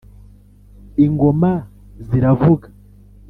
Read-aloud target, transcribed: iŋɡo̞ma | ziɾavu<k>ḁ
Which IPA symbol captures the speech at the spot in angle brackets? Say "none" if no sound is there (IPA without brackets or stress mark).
ɡ